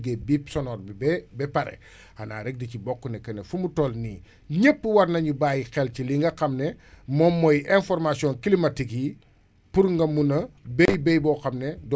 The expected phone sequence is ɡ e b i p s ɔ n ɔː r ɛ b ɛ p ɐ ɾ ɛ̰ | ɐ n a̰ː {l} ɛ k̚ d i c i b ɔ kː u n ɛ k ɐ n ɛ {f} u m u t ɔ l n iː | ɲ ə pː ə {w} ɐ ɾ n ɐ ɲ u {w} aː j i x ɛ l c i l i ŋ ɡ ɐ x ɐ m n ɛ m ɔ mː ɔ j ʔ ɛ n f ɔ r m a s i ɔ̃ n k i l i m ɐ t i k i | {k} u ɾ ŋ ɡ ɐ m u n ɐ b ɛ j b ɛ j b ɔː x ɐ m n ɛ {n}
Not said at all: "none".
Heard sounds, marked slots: ɾ, f, w, b, p, d

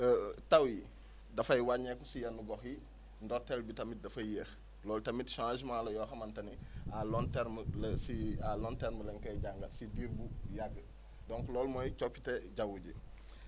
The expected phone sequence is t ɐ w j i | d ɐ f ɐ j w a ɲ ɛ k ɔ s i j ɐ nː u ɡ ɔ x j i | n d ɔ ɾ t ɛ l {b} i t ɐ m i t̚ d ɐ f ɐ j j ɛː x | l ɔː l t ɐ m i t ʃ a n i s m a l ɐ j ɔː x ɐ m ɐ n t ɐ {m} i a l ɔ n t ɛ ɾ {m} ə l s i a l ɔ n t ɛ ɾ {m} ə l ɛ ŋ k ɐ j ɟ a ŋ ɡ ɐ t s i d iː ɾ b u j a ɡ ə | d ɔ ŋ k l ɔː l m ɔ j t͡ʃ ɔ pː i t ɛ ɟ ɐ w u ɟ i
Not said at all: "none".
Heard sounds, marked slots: b, n, m, m

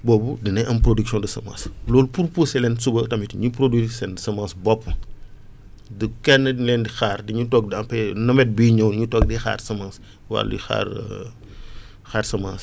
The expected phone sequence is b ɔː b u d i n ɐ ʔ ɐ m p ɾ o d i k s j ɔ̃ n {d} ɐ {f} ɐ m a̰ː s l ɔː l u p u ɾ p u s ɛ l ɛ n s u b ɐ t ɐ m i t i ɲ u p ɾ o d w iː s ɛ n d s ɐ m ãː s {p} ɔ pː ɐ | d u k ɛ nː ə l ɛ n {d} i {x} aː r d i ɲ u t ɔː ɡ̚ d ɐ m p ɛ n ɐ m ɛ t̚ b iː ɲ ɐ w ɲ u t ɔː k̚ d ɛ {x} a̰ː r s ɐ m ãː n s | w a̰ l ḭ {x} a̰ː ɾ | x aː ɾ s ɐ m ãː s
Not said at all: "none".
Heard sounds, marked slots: d, s, b, d, x, x, x

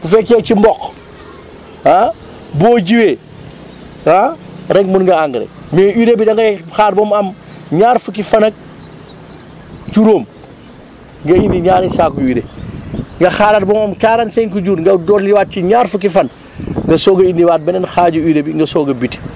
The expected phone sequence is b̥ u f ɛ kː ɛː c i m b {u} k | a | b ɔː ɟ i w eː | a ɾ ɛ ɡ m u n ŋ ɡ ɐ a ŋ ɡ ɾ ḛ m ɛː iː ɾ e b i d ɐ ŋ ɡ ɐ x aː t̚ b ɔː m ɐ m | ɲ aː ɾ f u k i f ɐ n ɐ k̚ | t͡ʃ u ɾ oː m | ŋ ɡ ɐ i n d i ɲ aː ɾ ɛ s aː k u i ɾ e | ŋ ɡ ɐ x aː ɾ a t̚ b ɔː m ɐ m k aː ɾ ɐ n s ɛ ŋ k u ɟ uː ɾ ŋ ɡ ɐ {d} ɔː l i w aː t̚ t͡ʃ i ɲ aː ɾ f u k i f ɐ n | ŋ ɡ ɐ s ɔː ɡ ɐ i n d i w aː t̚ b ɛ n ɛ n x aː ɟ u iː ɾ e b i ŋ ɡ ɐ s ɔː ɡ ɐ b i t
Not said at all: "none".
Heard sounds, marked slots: ɔ, d

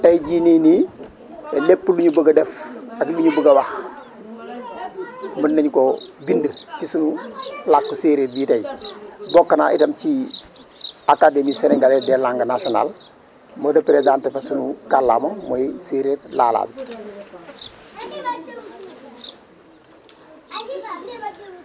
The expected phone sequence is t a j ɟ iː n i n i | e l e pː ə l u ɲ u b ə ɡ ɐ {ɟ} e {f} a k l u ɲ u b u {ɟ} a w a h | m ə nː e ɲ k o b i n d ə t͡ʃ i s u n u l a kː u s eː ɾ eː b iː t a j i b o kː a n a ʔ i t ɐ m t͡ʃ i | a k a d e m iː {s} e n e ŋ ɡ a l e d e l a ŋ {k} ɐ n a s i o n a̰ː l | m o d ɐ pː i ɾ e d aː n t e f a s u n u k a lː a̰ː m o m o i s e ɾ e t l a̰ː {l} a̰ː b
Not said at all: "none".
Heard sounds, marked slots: d, f, ɡ, s, ɡ, l

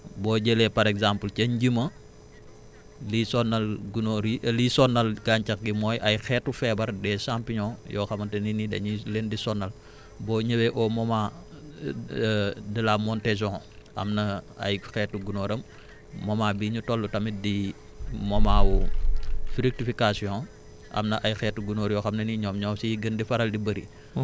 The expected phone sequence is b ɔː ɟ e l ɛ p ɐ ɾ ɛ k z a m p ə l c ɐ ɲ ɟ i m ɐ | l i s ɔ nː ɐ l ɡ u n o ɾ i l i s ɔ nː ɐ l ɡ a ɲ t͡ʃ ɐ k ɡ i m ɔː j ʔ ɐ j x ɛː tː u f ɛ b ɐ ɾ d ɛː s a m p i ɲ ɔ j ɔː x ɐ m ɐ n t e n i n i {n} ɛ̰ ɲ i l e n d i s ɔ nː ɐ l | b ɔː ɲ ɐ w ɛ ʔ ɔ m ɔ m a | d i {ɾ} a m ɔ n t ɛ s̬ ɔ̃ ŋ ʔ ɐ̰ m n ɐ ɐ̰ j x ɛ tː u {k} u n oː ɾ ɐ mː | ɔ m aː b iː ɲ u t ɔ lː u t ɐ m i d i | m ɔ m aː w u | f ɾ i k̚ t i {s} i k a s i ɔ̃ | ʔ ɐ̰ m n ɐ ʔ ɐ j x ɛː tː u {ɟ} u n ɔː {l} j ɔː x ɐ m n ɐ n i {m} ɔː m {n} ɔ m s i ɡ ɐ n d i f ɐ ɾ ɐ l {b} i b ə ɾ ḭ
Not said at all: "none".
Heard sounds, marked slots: d, l, ɡ, f, ɡ, ɾ, ɲ, ɲ, d

